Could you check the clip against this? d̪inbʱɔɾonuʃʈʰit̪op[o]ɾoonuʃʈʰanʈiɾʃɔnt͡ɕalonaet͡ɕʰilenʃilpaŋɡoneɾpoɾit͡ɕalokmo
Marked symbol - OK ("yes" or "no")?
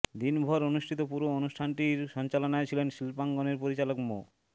no